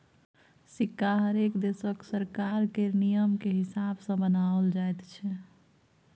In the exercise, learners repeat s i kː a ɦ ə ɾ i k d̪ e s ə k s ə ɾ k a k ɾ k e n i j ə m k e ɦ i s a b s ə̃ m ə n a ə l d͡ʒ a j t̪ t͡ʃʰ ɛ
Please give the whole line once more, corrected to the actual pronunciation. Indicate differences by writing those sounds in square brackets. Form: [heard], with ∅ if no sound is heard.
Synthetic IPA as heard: s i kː a ɦ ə ɾ [e] k d̪ e s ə k s ə ɾ k a [∅] ɾ k e n i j ə m k e ɦ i s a b s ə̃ [b] ə n a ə l d͡ʒ a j t̪ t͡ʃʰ ɛ